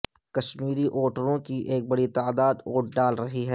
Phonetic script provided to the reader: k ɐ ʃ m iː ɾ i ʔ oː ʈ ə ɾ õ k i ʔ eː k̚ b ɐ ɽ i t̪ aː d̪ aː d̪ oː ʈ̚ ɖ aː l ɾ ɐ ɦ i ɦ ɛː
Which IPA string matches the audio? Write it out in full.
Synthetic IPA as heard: k ɐ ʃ m iː ɾ i ʔ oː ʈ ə ɾ õ k i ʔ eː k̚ b ɐ ɽ i t̪ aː d̪ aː d̪ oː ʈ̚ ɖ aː l ɾ ɐ ɦ i ɦ ɛː

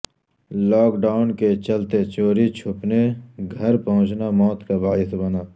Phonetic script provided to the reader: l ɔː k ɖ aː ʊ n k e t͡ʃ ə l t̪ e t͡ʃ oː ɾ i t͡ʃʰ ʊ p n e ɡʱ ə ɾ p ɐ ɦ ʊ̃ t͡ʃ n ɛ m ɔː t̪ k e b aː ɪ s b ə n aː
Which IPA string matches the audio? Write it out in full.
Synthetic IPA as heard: l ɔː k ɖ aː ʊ n k e t͡ʃ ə l t̪ e t͡ʃ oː ɾ i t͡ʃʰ ʊ p n e ɡʱ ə ɾ p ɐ ɦ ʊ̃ t͡ʃ n a m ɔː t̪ k a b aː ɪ s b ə n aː

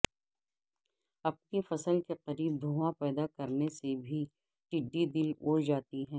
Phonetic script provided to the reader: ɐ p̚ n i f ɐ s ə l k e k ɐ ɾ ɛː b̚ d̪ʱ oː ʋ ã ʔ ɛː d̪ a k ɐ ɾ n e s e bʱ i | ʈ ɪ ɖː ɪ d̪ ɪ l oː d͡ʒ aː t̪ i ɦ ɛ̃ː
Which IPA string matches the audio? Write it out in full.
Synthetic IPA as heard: ɐ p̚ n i f ɐ s ə l k e q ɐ ɾ iː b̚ d̪ʱ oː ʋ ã p ɛː d̪ a k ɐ ɾ n e s e bʱ i | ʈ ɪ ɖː i d̪ ɪ l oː d͡ʒ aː t̪ i ɦ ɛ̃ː

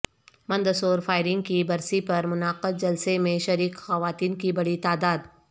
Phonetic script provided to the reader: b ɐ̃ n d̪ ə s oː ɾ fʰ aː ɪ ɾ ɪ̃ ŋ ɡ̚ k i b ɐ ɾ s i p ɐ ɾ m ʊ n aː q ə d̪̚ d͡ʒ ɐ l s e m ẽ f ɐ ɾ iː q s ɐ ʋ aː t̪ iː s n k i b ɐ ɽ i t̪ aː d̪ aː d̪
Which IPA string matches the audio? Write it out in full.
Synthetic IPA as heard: m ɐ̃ n d̪ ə s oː ɾ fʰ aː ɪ ɾ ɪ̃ ŋ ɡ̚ k i b ɐ ɾ s i p ɐ ɾ m ʊ n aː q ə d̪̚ d͡ʒ ɐ l s e m ẽ ʃ ɐ ɾ iː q x ɐ ʋ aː t̪ iː n k i b ɐ ɽ i t̪ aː d̪ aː d̪

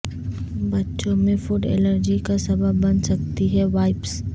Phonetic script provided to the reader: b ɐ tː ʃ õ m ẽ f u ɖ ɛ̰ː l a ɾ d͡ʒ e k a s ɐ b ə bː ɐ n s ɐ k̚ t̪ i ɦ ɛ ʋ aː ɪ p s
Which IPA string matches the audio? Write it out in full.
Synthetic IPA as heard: b ɐ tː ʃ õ m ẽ f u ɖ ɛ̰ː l ə ɾ d͡ʒ i k a s ɐ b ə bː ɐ n s ɐ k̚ t̪ i ɦ ɛ ʋ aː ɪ p s

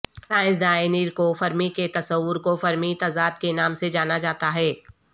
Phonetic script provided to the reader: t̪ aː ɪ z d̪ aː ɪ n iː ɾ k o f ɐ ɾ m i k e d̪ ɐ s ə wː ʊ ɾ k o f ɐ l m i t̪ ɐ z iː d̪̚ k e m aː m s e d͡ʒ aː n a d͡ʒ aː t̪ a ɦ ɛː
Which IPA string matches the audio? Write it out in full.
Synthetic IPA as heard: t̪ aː ɪ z d̪ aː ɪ n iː ɾ k o f ɐ ɾ m i k e t̪ ɐ s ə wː ʊ ɾ k o f ɐ ɾ m i t̪ ɐ z aː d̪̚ k e n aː m s e d͡ʒ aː n a d͡ʒ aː t̪ a ɦ ɛː

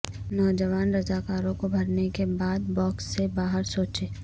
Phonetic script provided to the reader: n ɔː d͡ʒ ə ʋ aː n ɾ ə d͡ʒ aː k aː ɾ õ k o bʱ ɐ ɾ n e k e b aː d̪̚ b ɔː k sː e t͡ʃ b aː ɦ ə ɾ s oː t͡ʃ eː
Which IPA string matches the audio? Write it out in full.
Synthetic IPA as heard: n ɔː d͡ʒ ə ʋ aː n ɾ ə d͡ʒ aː k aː ɾ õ k o bʱ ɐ ɾ n e k e b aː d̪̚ b ɔː k sː e b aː ɦ ə ɾ s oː t͡ʃ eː

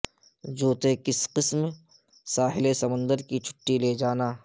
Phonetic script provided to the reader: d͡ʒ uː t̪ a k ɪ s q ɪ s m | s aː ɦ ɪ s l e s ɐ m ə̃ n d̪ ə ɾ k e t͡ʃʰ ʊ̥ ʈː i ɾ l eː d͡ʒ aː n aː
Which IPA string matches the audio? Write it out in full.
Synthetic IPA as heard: d͡ʒ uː t̪ e k ɪ s q ɪ s m | s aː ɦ ɪ l e s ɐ m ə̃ n d̪ ə ɾ k i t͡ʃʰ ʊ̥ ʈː i l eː d͡ʒ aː n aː

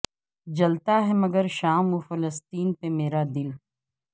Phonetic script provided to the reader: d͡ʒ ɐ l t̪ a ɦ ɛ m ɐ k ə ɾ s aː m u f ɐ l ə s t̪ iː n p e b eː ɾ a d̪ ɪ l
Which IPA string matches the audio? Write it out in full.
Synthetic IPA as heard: d͡ʒ ɐ l t̪ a ɦ ɛ m ɐ ɡ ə ɾ ʃ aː m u f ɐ l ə s t̪ iː n p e m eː ɾ a d̪ ɪ l

